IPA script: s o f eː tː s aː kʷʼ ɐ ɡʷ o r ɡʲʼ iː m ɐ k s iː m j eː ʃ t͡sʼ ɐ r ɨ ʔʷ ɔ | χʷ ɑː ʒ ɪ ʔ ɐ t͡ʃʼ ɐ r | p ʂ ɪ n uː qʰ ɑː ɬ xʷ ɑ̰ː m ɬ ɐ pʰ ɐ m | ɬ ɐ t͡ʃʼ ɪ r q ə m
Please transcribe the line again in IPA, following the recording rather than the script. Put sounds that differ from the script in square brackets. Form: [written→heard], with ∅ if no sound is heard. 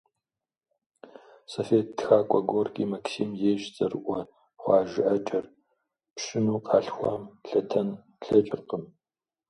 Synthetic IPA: s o f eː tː [s→x] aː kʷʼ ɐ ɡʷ o r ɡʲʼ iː m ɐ k s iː m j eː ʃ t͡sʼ ɐ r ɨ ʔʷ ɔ | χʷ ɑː ʒ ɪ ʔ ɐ t͡ʃʼ ɐ r | p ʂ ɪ n uː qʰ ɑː ɬ xʷ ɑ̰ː m ɬ ɐ [pʰ→tʰ] ɐ [m→n] | ɬ ɐ t͡ʃʼ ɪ r q ə m